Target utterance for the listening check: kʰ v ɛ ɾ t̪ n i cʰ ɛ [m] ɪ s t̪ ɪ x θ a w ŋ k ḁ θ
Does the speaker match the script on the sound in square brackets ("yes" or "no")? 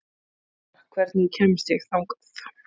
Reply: yes